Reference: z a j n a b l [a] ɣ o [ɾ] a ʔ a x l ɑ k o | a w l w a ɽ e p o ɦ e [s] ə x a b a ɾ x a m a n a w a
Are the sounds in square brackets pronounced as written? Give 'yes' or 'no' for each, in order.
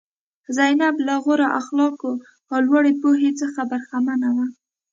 yes, yes, no

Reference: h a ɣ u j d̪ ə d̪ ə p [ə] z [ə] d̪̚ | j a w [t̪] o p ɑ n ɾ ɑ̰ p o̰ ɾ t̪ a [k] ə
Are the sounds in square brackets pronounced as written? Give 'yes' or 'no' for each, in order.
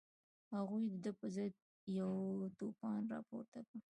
yes, yes, yes, yes

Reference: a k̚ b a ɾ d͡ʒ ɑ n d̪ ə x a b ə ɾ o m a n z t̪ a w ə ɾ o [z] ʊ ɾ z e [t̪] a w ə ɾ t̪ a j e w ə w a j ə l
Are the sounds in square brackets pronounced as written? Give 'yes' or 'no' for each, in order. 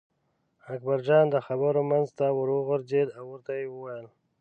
no, no

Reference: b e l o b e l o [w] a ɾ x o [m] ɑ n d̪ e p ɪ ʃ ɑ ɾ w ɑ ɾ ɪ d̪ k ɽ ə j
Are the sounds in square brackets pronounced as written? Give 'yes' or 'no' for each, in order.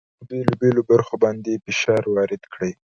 no, no

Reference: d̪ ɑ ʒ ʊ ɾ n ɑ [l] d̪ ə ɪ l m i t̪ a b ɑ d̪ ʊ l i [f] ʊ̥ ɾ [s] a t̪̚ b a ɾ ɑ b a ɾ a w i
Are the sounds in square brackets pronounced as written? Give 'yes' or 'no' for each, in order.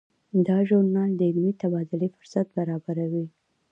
yes, yes, yes

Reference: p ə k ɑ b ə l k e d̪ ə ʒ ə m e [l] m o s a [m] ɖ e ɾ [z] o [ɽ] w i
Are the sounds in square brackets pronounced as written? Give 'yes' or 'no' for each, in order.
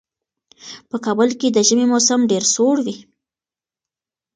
no, yes, no, yes

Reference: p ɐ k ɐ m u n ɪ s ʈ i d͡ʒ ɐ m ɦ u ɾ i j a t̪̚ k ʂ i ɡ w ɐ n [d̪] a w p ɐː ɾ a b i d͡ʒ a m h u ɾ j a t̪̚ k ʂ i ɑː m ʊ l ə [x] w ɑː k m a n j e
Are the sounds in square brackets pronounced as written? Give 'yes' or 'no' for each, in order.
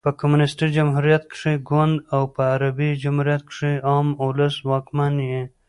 yes, no

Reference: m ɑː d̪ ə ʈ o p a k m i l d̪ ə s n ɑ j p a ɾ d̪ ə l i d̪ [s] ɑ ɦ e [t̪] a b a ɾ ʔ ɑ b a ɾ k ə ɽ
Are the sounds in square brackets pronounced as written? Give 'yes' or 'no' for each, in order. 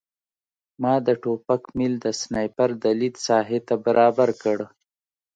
yes, yes

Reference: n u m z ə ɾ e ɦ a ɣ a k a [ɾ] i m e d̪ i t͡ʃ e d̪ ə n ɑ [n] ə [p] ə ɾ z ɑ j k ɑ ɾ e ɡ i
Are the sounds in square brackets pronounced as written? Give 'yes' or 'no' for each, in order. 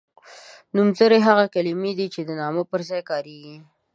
no, no, yes

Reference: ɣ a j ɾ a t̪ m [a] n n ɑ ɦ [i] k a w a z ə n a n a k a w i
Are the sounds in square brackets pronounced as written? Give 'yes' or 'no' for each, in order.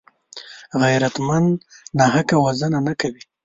yes, no

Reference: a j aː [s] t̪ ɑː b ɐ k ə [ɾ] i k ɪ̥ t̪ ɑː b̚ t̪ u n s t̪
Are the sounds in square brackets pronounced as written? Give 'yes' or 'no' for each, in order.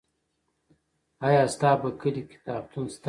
yes, no

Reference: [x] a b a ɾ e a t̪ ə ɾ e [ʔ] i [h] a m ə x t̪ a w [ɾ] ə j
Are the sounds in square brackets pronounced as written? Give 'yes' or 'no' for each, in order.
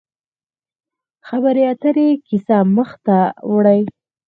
yes, no, no, no

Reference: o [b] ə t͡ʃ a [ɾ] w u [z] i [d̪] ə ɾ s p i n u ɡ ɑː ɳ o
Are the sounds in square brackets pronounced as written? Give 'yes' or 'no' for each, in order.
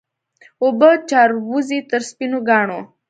yes, yes, yes, no

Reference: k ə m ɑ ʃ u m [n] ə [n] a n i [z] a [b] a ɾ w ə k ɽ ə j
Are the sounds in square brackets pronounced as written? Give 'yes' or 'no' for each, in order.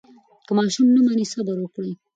yes, no, no, yes

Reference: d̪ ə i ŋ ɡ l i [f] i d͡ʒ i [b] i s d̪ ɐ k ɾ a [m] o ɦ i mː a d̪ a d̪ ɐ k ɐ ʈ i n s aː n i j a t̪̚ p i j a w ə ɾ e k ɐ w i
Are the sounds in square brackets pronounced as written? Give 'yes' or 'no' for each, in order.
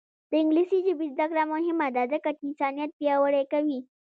no, yes, yes

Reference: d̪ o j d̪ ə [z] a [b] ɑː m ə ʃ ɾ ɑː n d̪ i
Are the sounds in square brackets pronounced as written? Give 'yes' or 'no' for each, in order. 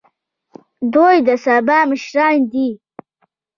no, yes

